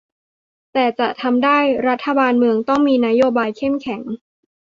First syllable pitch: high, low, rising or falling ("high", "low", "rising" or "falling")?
low